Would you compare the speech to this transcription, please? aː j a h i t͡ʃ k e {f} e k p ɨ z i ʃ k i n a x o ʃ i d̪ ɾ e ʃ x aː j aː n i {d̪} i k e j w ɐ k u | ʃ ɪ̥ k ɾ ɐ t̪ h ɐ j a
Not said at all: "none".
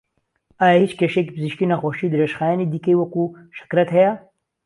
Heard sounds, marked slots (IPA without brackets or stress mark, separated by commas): ʃ, d̪